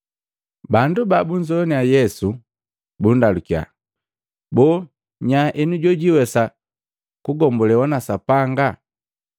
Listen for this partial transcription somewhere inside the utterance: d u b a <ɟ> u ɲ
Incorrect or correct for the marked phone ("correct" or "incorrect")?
incorrect